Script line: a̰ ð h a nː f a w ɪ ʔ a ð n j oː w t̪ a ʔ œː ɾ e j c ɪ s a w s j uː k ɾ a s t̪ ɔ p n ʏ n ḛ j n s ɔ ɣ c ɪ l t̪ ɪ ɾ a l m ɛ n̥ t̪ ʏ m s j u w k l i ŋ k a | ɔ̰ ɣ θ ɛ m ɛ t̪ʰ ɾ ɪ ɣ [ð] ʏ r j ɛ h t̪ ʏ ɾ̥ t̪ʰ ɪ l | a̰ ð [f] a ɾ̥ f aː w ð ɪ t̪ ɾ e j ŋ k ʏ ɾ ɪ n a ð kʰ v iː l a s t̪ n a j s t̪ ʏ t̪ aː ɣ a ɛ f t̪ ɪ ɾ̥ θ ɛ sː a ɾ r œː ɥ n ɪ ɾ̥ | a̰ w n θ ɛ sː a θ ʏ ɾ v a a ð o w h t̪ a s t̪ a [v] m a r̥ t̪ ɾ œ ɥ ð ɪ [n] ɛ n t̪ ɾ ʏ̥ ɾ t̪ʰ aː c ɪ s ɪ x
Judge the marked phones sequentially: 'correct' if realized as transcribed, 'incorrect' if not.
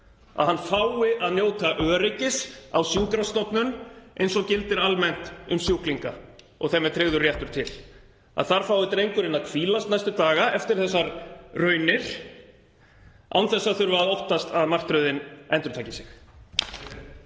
correct, incorrect, incorrect, correct

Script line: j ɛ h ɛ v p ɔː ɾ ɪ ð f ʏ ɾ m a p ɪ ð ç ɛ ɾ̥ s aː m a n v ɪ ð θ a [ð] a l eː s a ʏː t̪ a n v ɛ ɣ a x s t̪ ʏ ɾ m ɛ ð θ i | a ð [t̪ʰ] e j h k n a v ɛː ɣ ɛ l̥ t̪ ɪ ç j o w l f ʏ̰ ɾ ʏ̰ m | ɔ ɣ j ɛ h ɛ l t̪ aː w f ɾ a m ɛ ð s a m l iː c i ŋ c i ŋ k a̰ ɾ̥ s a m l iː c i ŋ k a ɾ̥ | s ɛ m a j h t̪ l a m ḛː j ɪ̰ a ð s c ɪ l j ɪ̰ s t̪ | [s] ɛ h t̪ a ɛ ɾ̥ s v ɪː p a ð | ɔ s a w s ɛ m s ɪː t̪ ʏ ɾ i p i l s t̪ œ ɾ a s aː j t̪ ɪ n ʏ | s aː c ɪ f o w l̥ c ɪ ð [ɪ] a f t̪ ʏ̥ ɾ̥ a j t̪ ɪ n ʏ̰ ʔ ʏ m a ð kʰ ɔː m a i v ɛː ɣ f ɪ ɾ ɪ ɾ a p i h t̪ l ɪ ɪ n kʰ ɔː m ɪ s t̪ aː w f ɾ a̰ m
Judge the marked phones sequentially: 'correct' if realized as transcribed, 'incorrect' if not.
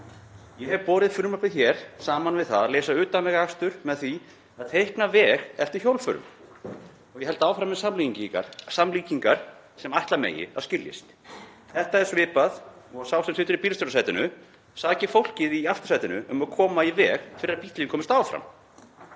correct, correct, incorrect, incorrect

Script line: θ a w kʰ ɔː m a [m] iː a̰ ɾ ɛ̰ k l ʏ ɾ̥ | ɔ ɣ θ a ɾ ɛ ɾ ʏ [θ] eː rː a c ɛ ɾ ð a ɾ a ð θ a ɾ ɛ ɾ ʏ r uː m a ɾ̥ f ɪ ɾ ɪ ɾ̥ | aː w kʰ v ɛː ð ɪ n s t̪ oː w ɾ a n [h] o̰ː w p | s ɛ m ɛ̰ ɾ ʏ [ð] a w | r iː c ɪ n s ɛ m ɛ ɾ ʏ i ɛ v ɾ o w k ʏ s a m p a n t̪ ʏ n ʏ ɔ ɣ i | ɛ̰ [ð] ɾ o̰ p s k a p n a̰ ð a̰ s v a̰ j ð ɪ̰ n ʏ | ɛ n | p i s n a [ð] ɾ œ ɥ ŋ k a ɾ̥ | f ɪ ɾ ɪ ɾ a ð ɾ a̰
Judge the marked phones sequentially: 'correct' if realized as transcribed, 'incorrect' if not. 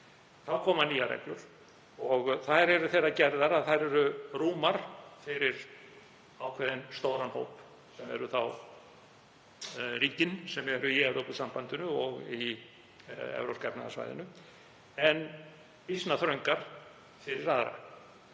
incorrect, correct, correct, incorrect, incorrect, incorrect

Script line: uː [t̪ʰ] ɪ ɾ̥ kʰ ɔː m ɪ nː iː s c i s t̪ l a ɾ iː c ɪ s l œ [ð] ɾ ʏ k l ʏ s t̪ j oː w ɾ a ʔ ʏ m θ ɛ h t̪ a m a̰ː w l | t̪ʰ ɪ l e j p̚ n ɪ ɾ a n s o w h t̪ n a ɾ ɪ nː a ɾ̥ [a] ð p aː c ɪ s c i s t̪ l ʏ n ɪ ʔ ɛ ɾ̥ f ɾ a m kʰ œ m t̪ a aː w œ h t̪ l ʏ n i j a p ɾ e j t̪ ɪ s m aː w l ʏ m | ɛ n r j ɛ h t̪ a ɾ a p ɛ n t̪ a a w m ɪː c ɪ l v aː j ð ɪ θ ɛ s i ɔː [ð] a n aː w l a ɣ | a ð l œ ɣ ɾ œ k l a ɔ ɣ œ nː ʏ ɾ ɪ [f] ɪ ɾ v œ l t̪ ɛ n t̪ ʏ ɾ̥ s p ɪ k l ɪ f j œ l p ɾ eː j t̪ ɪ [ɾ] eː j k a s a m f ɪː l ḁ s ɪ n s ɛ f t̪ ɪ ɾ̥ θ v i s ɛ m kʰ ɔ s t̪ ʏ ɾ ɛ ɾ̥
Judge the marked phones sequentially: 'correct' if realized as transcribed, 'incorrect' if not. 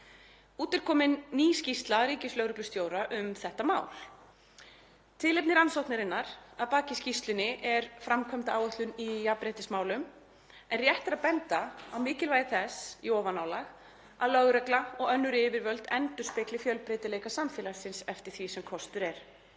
incorrect, incorrect, correct, incorrect, incorrect, incorrect

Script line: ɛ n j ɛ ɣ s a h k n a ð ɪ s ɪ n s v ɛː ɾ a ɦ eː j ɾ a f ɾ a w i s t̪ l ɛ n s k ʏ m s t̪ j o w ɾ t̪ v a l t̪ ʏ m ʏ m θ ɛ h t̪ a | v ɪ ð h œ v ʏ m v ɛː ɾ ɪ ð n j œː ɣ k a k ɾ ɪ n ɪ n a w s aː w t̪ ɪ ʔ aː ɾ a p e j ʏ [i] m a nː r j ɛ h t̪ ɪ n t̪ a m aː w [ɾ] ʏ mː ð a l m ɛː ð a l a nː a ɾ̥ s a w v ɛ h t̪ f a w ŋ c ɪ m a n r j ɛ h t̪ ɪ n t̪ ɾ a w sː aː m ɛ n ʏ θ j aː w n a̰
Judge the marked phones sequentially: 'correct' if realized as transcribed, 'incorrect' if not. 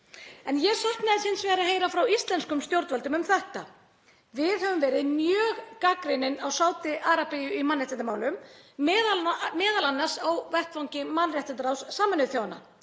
correct, incorrect

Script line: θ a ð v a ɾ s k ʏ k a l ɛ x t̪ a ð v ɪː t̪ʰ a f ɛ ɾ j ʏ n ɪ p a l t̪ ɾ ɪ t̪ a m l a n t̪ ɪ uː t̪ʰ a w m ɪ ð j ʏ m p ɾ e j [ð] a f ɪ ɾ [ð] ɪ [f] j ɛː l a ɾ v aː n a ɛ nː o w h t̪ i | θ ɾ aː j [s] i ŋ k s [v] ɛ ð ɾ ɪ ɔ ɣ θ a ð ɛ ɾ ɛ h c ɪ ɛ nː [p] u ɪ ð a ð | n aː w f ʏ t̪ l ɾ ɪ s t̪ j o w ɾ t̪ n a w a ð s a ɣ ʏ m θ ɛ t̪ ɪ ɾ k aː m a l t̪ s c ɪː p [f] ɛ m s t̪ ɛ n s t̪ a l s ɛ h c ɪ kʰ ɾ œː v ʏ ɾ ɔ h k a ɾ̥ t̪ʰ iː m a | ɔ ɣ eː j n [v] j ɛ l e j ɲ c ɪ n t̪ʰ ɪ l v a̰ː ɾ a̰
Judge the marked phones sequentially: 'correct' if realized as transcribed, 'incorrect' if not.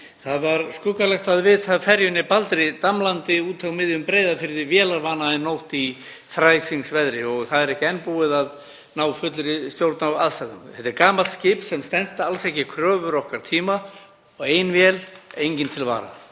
correct, correct, incorrect, correct, correct, correct, incorrect, correct

